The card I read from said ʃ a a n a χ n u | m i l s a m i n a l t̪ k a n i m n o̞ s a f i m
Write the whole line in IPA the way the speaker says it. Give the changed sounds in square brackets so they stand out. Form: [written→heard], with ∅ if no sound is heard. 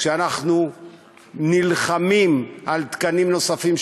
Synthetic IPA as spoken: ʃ [a→e] a n a χ n u | [m→n] i l [s→χ] a m i [n→m] a l t̪ k a n i m n o̞ s a f i m